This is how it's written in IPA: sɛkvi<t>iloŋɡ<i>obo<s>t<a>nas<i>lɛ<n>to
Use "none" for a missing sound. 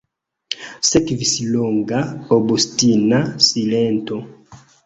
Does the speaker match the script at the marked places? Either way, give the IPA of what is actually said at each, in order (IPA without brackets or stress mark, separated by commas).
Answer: s, a, s, i, i, n